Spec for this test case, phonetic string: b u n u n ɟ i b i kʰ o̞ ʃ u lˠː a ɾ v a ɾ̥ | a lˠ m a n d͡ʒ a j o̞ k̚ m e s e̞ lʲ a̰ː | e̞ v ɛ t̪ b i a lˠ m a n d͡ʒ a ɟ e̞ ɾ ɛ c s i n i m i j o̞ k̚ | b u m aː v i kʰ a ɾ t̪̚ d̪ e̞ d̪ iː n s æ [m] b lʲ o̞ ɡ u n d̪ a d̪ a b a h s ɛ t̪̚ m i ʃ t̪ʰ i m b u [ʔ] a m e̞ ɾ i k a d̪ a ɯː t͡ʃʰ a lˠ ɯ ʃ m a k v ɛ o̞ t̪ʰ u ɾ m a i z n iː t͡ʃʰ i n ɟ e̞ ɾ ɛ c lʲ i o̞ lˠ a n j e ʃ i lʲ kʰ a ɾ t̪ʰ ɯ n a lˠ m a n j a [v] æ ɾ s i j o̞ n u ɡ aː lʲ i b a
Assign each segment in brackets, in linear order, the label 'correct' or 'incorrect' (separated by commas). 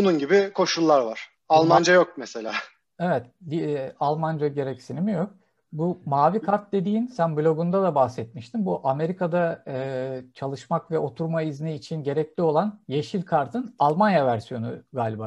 incorrect, correct, correct